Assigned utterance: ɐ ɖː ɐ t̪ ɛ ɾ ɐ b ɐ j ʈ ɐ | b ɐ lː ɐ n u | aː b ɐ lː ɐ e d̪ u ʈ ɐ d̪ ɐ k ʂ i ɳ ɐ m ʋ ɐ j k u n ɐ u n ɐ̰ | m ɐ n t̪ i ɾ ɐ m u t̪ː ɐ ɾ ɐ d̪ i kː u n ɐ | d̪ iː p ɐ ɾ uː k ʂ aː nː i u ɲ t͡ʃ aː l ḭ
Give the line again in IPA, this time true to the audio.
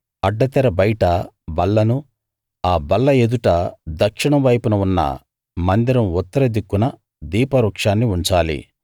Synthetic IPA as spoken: ɐ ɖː ɐ t̪ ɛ ɾ ɐ b ɐ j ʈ ɐ | b ɐ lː ɐ n u | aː b ɐ lː ɐ e d̪ u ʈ ɐ d̪ ɐ k ʂ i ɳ ɐ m ʋ ɐ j p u n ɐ u nː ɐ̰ | m ɐ n d̪ i ɾ ɐ m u t̪ː ɐ ɾ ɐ d̪ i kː u n ɐ | d̪ iː p ɐ ɾ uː k ʂ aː nː i u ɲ t͡ʃ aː l ḭ